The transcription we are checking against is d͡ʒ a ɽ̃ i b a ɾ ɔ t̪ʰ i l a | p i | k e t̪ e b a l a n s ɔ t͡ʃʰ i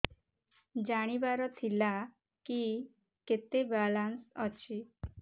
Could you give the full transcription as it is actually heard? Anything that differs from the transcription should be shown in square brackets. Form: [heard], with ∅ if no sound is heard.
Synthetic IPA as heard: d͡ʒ a ɽ̃ i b a ɾ ɔ t̪ʰ i l a | [k] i | k e t̪ e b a l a n s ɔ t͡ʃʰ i